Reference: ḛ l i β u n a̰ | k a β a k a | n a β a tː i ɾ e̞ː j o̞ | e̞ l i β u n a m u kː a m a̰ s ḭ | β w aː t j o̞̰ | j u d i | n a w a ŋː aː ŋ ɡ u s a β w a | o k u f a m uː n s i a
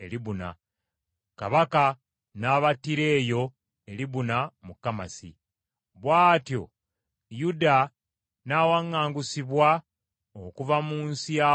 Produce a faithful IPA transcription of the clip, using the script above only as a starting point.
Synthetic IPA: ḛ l i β u n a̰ | k a β a k a | n a β a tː i ɾ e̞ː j o̞ | e̞ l i β u n a m u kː a m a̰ s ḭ | β w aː t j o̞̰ | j u d a | n a w a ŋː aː ŋ ɡ u s i β w a | o k u v a m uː n s i a